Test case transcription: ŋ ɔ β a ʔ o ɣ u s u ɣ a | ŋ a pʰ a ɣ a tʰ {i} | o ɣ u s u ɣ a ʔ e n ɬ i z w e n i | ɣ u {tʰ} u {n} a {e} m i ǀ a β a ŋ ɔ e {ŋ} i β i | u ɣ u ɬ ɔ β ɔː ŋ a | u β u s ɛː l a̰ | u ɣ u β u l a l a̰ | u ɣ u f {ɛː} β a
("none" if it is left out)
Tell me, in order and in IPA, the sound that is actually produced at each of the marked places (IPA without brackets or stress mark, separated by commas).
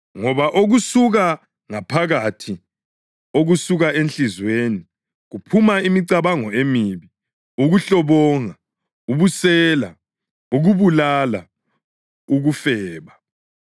i, pʰ, m, i, m, ɛː